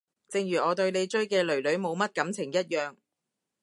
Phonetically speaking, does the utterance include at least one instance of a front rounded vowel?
yes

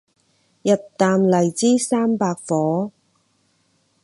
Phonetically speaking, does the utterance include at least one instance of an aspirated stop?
no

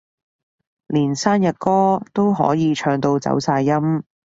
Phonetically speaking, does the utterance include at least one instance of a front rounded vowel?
yes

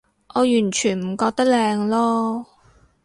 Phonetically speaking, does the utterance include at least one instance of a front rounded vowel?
yes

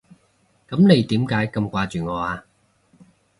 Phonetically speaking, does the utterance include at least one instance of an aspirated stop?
no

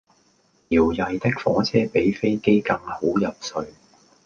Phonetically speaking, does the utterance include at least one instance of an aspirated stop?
yes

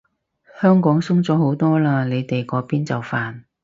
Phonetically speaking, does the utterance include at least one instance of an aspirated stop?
no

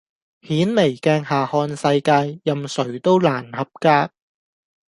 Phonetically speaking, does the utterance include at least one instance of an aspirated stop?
no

